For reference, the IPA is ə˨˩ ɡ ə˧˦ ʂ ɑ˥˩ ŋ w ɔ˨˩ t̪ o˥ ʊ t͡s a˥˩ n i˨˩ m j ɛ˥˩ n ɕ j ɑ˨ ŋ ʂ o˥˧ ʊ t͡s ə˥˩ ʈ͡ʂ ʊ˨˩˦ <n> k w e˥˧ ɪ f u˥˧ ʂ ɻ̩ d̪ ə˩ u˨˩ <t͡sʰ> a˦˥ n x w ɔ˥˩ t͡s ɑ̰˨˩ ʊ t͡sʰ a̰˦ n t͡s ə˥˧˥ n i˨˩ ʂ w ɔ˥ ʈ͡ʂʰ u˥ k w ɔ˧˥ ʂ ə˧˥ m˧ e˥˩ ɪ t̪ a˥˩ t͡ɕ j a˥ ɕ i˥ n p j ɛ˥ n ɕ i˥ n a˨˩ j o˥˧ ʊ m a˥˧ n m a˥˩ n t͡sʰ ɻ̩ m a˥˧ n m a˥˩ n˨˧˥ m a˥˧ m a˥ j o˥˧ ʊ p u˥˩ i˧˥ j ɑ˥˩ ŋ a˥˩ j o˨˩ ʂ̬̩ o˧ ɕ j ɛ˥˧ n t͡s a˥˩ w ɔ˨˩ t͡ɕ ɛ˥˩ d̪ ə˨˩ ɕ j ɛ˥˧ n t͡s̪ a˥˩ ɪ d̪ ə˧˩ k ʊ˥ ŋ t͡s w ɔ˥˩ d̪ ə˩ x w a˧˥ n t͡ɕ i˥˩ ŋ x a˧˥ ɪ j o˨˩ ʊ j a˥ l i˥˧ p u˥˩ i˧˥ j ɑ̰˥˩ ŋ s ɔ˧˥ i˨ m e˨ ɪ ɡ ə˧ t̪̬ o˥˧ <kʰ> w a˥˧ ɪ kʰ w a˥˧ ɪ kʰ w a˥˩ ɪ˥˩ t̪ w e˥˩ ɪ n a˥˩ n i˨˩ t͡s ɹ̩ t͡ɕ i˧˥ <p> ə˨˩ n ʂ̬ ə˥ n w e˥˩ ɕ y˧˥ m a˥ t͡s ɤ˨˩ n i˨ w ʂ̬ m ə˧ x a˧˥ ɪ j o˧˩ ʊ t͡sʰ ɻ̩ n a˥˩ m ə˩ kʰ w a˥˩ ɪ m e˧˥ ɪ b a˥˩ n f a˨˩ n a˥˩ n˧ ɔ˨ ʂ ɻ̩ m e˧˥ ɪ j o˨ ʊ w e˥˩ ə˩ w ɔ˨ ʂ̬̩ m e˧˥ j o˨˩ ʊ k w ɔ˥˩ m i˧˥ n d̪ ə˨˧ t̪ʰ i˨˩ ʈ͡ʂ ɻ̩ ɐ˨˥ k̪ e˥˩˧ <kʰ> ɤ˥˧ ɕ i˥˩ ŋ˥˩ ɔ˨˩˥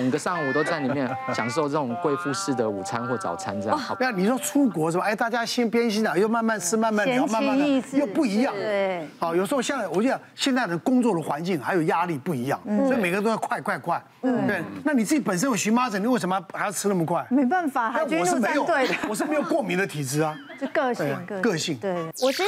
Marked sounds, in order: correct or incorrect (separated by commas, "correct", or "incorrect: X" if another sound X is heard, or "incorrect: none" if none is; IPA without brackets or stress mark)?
incorrect: ŋ, correct, correct, correct, incorrect: k